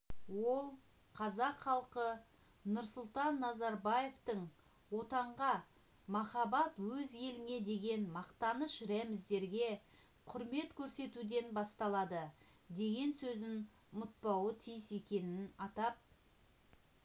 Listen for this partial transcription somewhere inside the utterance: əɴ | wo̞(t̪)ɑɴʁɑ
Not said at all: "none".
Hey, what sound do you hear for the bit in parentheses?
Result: t̪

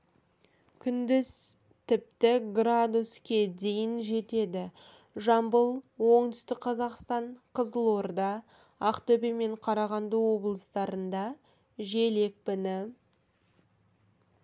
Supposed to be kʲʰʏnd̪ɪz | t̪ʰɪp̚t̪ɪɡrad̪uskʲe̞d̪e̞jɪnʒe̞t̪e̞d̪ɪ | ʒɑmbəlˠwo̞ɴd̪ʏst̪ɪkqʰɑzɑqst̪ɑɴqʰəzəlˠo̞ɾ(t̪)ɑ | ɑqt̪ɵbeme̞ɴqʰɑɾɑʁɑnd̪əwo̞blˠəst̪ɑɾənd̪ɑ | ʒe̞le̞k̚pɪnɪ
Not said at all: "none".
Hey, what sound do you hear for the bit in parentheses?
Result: d̪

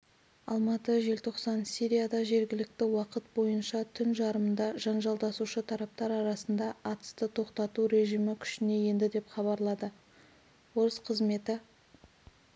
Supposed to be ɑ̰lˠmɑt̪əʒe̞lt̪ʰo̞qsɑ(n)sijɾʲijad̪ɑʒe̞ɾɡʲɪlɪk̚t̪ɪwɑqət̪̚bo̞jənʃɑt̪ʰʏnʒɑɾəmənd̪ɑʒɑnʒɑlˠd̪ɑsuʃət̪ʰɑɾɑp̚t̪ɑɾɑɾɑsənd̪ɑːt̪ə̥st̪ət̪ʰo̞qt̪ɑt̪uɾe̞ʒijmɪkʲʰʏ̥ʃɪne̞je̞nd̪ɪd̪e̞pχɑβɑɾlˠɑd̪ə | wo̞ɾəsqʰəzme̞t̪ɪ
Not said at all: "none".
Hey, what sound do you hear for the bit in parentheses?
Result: n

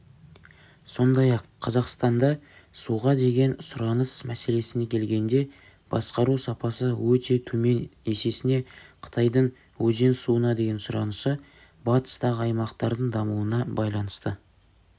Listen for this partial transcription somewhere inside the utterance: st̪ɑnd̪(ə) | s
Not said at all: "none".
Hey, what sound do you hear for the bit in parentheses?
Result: ɑ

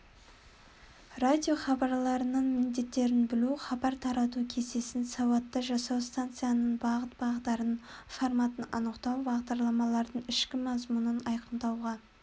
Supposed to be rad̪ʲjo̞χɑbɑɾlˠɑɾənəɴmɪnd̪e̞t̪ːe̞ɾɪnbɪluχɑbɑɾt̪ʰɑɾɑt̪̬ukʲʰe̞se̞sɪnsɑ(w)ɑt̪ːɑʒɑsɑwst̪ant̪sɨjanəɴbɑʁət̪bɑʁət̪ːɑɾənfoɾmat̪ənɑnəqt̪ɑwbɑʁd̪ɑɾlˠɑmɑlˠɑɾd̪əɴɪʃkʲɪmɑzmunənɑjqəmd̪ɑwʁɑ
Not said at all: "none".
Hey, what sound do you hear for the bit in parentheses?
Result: w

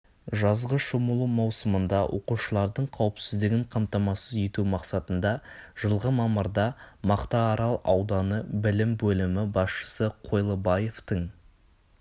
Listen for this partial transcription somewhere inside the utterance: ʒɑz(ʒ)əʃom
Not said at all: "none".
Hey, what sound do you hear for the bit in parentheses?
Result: ʁ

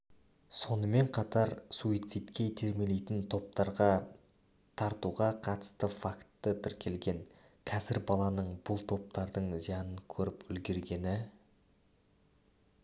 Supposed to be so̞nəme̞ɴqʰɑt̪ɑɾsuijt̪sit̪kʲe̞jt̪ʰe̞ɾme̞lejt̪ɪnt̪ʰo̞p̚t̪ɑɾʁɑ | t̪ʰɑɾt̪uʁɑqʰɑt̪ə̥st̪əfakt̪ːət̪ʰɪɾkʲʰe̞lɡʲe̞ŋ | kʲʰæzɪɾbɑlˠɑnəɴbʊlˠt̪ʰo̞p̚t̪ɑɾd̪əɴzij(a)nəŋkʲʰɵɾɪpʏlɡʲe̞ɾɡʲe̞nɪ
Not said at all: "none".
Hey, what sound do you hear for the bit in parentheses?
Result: ɑ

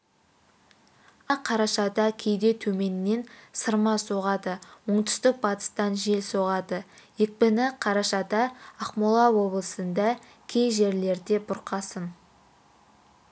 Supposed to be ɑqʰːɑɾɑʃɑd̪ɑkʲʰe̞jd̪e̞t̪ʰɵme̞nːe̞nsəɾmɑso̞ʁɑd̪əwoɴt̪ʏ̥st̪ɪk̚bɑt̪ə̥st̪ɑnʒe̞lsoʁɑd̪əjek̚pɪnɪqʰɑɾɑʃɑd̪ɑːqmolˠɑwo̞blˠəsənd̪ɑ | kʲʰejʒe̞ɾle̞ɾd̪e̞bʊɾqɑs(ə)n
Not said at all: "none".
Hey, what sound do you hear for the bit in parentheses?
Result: ə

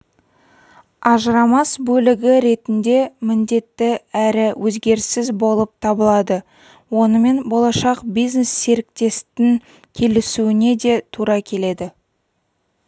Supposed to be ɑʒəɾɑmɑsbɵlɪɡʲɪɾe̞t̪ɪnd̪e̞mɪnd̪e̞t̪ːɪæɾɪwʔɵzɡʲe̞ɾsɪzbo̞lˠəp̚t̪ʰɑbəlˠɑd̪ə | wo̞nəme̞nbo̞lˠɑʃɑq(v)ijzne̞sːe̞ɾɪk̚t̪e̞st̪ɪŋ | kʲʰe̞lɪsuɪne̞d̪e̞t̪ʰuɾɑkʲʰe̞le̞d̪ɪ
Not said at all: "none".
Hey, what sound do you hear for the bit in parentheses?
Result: b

